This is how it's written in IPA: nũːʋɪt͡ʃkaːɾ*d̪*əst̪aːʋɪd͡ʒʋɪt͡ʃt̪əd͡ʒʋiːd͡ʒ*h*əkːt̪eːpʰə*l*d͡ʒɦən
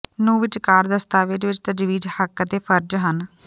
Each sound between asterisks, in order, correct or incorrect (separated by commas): correct, correct, incorrect